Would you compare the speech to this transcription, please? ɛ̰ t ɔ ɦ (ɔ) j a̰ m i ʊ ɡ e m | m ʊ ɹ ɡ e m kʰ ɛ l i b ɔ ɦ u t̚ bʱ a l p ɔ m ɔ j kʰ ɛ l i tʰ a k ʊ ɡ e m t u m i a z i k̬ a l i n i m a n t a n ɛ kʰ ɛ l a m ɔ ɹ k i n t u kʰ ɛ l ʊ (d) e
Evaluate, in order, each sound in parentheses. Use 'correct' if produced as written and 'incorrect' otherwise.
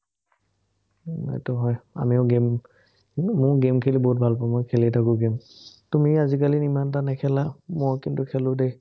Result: correct, correct

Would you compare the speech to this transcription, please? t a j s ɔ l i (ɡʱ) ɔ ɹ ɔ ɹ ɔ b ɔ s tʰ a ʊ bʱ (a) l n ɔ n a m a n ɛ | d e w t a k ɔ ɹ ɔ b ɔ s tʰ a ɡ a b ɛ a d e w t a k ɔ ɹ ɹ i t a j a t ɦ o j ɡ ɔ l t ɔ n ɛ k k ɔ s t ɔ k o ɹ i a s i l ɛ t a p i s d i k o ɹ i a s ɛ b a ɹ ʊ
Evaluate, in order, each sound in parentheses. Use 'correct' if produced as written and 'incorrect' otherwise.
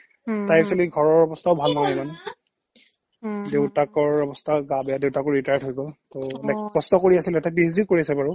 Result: correct, correct

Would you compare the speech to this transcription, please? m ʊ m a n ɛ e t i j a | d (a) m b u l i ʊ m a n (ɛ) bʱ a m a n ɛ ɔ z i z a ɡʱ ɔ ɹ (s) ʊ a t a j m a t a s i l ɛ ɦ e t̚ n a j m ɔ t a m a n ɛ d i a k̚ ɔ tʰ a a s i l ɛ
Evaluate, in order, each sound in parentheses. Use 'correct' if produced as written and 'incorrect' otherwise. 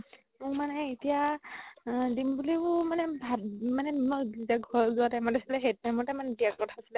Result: incorrect: i, correct, incorrect: z

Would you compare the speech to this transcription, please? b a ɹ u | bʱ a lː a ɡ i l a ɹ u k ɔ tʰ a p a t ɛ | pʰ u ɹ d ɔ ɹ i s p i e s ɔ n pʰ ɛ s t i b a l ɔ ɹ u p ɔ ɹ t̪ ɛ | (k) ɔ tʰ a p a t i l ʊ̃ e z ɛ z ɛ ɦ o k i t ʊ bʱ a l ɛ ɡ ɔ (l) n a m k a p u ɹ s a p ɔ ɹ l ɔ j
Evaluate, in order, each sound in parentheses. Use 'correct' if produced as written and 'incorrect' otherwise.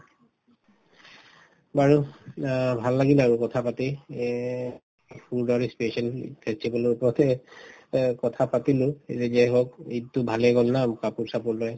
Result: correct, correct

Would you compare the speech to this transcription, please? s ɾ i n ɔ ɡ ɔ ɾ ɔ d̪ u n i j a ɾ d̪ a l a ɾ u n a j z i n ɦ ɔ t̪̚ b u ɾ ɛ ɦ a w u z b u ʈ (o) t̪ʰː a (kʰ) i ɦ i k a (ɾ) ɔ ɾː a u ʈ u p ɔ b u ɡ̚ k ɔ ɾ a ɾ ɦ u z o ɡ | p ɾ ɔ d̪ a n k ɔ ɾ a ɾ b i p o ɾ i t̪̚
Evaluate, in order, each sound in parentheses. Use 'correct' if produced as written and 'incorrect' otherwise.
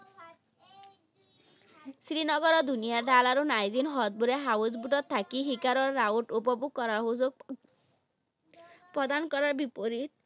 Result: incorrect: ɔ, incorrect: k, correct

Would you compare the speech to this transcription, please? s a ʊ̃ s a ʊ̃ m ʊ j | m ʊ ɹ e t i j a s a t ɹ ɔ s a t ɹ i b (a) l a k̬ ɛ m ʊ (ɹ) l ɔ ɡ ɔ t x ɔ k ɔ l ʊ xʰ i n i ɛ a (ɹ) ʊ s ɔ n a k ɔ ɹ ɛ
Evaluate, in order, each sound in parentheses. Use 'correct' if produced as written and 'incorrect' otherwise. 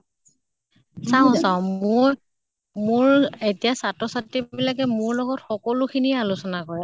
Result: incorrect: i, correct, incorrect: l

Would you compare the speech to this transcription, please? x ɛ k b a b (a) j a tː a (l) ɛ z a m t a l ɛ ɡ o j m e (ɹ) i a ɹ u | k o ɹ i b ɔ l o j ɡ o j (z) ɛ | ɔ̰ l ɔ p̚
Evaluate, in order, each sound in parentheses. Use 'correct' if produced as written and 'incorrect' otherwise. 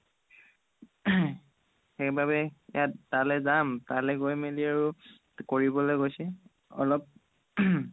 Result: incorrect: ɛ, correct, incorrect: l, incorrect: s

